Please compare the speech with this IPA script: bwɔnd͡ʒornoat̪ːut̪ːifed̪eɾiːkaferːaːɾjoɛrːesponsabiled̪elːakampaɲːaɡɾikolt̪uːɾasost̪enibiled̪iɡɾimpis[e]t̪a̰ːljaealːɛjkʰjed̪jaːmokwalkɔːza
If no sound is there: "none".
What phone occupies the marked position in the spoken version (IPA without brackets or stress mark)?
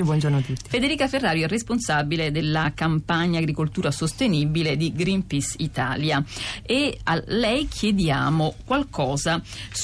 i